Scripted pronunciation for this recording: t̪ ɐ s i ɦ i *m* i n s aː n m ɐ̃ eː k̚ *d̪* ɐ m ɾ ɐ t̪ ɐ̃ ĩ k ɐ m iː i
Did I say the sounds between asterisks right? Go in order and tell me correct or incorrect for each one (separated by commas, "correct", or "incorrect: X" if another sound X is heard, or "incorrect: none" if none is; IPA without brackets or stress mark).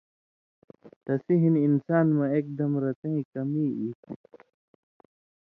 incorrect: n, correct